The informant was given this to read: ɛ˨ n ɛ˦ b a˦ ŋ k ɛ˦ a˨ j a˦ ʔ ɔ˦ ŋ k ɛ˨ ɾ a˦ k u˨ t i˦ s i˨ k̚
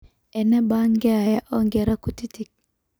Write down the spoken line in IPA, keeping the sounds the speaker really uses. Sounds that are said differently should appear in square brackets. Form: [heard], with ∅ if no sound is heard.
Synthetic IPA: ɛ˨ n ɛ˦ b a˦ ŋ [ɡ] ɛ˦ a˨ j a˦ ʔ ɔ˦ ŋ [ɡ] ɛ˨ ɾ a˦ k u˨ t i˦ [t] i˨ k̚